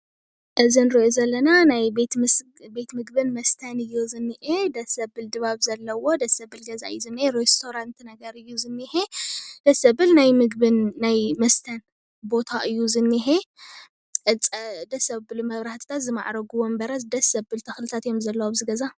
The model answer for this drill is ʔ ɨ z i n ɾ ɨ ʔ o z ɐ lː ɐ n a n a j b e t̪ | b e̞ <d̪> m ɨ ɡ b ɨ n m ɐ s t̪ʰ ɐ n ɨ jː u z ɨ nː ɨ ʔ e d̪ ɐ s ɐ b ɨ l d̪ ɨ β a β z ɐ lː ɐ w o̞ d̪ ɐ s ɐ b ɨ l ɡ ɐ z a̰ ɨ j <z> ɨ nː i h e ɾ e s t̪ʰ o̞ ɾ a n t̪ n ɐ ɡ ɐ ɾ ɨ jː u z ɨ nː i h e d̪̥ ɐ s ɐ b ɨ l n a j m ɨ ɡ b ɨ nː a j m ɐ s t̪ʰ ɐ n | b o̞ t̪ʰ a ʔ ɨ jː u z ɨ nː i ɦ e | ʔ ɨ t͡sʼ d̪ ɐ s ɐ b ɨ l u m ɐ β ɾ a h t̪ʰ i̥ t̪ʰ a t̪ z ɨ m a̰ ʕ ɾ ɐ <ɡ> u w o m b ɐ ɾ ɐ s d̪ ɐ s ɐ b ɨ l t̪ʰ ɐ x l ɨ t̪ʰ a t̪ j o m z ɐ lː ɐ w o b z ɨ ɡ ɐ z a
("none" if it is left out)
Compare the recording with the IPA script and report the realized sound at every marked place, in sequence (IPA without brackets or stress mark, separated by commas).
t̪, z, ɡ